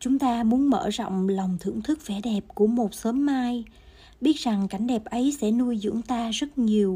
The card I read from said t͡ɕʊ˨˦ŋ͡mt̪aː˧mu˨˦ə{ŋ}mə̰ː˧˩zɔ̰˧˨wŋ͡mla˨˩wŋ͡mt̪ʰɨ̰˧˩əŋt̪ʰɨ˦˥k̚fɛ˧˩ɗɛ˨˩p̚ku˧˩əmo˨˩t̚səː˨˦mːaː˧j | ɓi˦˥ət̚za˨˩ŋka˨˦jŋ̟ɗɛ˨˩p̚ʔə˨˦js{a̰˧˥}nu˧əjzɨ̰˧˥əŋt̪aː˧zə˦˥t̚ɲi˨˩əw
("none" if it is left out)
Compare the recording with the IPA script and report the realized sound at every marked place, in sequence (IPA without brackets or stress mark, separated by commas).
n, ɛ̰˧˥